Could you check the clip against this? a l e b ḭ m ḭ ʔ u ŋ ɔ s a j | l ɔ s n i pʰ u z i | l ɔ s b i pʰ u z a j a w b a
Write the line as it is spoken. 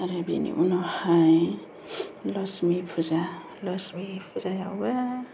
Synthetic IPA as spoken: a ɾ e b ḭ n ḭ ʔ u n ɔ h a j | l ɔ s m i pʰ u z a | l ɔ s m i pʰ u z a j a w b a